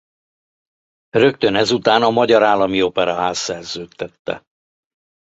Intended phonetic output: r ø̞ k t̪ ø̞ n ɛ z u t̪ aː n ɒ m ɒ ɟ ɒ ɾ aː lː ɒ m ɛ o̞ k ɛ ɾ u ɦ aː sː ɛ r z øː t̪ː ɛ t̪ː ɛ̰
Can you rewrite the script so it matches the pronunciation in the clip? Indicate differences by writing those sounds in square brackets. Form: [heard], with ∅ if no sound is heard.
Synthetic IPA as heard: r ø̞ k t̪ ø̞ n ɛ z u t̪ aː n ɒ m ɒ ɟ ɒ ɾ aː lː ɒ m [i] o̞ [p] ɛ ɾ [ɒ] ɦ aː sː ɛ r z øː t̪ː ɛ t̪ː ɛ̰